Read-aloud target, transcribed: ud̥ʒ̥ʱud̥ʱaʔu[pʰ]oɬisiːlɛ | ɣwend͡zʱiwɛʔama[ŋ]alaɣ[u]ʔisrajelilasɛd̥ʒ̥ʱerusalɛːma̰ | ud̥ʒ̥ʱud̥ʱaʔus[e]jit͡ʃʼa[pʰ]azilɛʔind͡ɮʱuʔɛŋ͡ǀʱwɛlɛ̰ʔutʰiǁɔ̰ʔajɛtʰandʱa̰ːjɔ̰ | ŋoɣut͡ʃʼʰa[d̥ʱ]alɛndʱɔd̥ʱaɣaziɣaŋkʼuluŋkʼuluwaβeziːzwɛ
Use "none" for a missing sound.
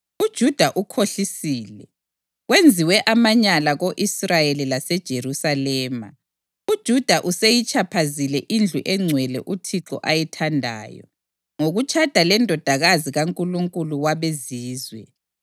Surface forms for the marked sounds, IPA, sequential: kʰ, ɲ, o, e, pʰ, d̥ʱ

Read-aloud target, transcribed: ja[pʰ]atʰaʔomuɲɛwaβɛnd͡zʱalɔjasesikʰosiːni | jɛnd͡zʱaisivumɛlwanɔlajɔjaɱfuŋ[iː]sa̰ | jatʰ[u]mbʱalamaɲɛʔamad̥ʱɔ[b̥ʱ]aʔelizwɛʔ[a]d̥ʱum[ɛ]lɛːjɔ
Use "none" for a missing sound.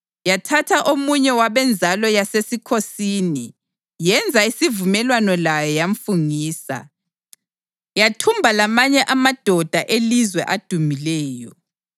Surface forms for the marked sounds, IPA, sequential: tʰ, iː, u, d̥ʱ, a, i

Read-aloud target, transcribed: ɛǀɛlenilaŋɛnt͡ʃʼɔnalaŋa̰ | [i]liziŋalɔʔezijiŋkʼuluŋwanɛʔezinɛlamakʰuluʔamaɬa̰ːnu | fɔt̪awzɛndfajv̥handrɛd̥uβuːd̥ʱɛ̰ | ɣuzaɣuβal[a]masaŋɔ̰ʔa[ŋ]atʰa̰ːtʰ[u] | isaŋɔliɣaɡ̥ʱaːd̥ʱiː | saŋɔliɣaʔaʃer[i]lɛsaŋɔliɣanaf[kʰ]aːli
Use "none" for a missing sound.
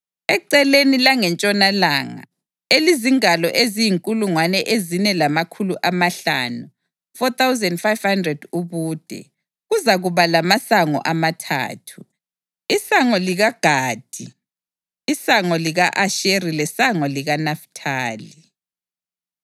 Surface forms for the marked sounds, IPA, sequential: e, a, m, u, i, tʰ

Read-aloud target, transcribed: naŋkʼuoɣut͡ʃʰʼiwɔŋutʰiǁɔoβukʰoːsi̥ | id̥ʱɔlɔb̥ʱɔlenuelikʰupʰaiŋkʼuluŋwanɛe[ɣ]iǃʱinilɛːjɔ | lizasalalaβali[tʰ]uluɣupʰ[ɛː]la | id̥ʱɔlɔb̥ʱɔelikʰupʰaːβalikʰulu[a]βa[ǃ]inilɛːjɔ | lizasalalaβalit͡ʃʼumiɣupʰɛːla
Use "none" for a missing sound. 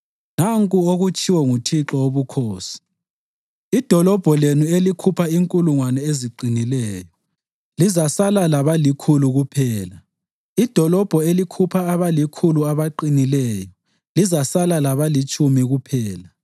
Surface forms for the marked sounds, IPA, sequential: z, kʰ, ɛː, a, ǃ

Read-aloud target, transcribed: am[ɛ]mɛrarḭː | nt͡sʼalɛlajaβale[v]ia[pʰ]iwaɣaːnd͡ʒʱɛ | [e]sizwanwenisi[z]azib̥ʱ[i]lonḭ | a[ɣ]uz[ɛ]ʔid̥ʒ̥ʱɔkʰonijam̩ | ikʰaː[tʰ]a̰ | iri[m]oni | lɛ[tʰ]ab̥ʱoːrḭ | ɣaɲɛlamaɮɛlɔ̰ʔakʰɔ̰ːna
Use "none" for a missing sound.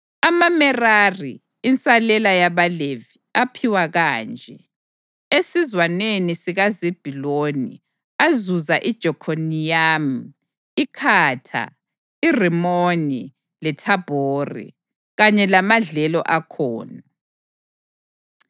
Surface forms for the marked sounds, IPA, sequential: a, v, pʰ, e, ɣ, i, z, a, tʰ, m, tʰ

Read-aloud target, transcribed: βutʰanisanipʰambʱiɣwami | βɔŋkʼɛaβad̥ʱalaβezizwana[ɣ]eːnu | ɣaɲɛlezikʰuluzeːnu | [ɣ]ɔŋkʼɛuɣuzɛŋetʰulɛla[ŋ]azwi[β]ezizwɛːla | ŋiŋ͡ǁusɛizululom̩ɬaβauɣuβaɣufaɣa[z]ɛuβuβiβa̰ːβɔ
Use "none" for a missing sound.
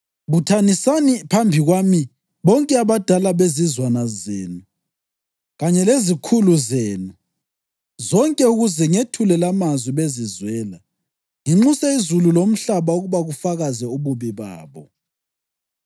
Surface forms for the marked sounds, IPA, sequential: z, z, m, β, z

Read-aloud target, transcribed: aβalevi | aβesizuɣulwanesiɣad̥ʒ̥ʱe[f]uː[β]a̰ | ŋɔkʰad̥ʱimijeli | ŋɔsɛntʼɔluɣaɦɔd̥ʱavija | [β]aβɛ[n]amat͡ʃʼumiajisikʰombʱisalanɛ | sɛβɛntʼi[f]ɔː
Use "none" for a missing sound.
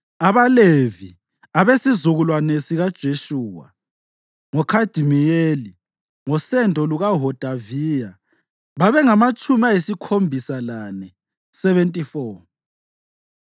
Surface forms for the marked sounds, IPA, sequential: ʃ, w, β, ŋ, f

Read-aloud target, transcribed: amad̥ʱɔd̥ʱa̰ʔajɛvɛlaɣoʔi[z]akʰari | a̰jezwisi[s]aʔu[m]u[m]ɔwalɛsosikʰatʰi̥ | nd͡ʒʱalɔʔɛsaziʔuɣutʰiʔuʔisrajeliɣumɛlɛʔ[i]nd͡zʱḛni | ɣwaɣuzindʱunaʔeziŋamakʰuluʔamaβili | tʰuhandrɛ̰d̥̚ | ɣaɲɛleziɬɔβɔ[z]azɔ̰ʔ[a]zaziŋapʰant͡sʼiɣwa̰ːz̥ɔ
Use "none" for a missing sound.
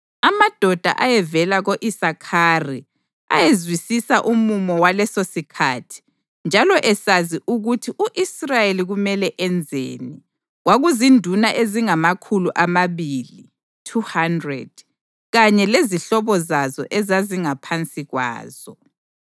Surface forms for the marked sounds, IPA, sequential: s, s, m, m, ɛ, z, ɛ

